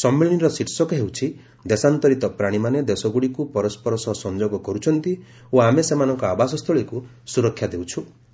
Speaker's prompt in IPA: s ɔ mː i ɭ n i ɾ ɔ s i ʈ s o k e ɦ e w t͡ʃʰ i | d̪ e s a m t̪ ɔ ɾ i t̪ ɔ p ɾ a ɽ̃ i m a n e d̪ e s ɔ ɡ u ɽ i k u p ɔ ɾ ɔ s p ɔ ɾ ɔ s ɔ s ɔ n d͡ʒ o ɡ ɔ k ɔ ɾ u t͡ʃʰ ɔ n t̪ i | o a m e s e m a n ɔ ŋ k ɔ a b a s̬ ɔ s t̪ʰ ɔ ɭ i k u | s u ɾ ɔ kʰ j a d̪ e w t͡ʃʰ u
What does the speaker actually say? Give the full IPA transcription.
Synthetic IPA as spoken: s ɔ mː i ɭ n i ɾ ɔ s i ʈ s ɔ k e ɦ e w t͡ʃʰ i | d̪ e s a n t̪ ɔ ɾ i t̪ ɔ p ɾ a ɽ̃ i m a n e d̪ e s ɔ ɡ u ɽ i k u p ɔ ɾ ɔ s p ɔ ɾ ɔ s ɔ s ɔ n d͡ʒ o ɡ ɔ k ɔ ɾ u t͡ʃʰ ɔ n t̪ i | o a m e s e m a n ɔ ŋ k ɔ a b a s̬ ɔ s t̪ʰ ɔ ɭ i k u | s u ɾ ɔ kʰ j a d̪ e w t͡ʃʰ u